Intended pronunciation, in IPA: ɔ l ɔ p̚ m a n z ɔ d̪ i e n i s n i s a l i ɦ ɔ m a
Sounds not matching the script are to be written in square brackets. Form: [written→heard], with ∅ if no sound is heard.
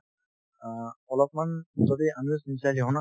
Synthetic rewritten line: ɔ l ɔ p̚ m a n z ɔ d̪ i [e→a] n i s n i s a l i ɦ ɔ [m→n] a